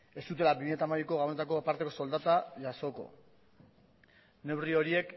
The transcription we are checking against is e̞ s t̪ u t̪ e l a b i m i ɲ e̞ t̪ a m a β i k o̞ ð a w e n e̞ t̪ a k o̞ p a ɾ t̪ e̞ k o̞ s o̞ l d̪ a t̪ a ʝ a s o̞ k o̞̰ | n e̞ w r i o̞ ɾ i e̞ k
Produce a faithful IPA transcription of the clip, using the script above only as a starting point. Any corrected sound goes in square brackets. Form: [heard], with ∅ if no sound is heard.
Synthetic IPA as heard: e̞ s t̪ u t̪ e l a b i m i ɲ e̞ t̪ a m a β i k o̞ [ɣ] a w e n e̞ t̪ a k o̞ p a ɾ t̪ e̞ k o̞ s o̞ l d̪ a t̪ a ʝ a s o̞ k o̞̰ | n e̞ w r i o̞ ɾ i e̞ k